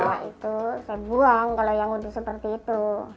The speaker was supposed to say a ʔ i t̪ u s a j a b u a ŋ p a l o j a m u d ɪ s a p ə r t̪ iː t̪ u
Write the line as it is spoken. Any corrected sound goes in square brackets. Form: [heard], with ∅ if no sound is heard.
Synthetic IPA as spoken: a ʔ i t̪ u s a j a b u a ŋ [k] a l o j a [ŋ] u d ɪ s [ə] p ə r t̪ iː t̪ u